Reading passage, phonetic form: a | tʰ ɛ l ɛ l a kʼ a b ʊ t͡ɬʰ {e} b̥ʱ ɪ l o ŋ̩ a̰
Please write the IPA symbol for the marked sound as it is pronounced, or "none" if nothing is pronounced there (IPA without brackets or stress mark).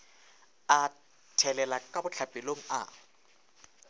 a